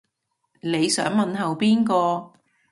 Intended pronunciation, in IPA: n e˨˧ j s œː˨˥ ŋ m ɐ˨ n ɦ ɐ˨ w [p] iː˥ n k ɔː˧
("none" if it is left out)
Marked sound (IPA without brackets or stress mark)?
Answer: p